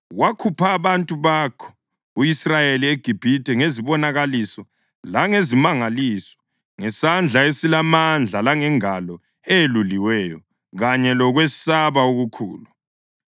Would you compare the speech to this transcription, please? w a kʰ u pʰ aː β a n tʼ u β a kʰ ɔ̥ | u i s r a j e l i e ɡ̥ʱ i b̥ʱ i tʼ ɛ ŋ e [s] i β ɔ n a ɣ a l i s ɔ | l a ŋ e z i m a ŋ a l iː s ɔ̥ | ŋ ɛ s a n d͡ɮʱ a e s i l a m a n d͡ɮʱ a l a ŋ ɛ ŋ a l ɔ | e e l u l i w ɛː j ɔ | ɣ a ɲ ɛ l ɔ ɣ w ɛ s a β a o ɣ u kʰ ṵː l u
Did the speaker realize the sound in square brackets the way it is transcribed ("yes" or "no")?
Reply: no